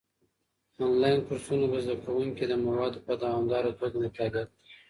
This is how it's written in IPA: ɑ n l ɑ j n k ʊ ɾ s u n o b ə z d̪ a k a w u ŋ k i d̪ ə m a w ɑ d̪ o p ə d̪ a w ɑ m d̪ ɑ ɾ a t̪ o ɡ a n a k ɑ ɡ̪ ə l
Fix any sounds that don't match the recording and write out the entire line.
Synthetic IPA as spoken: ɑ n l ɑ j n k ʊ ɾ s u n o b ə z d̪ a k a w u ŋ k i d̪ ə m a w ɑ d̪ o p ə d̪ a w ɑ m d̪ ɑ ɾ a t̪ o ɡ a n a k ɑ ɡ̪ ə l